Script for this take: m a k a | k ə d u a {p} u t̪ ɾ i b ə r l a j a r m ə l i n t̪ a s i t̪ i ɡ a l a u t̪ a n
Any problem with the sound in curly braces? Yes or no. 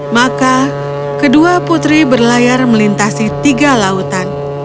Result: no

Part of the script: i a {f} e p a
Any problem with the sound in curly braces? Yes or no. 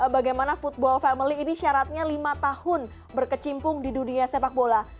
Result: yes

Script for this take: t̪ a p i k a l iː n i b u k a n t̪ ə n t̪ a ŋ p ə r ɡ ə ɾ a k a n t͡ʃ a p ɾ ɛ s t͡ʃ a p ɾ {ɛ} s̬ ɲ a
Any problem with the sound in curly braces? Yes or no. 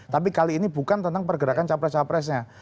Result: no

